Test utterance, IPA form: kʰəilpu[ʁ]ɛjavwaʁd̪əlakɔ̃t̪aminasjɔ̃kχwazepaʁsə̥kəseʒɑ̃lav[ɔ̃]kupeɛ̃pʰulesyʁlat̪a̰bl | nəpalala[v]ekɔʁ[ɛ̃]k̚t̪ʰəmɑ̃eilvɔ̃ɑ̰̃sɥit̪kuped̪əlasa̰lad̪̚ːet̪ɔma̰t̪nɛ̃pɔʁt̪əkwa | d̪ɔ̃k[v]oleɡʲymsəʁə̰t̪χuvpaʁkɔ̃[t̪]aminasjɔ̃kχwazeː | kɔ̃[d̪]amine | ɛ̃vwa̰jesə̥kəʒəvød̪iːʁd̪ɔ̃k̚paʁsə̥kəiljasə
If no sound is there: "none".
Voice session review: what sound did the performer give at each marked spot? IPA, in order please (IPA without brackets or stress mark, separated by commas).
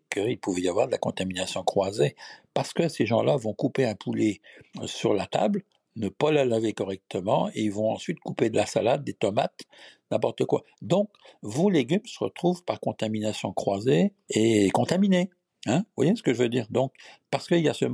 v, ɔ̃, v, ɛ, v, t̪, t̪